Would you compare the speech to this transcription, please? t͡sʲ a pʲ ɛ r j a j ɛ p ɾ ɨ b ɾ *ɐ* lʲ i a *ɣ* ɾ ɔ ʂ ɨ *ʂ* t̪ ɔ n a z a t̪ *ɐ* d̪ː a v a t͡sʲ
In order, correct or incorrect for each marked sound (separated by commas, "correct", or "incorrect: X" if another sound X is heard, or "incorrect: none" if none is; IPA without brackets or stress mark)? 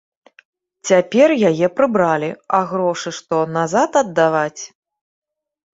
incorrect: a, correct, correct, correct